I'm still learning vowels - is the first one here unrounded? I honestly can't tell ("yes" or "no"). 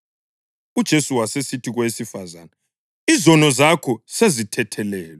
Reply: no